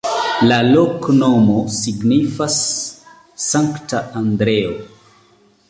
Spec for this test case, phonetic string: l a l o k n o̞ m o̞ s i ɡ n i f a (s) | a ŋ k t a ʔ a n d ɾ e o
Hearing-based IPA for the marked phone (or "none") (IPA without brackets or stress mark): sː